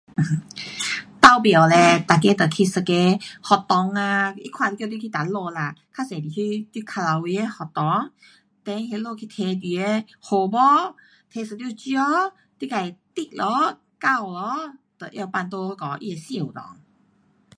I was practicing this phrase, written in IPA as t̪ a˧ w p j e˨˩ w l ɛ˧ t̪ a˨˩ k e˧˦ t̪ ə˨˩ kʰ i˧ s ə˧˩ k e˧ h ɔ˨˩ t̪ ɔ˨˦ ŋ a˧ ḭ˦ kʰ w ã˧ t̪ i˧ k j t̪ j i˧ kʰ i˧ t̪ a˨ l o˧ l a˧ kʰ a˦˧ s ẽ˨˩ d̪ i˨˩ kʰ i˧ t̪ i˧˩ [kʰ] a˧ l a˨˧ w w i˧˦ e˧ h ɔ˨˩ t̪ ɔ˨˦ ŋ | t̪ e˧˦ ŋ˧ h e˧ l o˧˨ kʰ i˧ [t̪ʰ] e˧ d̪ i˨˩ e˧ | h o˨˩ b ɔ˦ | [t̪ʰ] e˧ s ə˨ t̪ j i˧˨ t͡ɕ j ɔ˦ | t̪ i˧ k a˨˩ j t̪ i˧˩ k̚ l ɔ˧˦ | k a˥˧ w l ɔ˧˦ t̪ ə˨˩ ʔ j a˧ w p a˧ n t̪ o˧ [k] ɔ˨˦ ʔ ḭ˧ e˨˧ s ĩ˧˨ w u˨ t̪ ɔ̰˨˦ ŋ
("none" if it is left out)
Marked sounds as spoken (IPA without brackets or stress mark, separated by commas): kʰ, t̪ʰ, t̪ʰ, k